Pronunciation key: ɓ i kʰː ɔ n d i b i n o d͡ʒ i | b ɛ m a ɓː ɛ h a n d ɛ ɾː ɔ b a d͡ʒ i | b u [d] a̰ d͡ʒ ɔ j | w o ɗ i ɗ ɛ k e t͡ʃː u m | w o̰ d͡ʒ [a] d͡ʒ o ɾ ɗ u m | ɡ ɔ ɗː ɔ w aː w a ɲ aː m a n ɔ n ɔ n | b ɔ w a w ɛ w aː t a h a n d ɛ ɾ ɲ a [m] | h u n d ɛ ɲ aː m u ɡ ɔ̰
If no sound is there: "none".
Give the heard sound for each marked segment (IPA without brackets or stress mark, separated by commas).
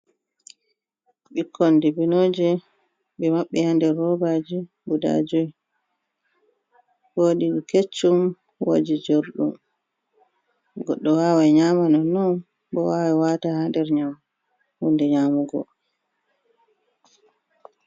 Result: d, i, m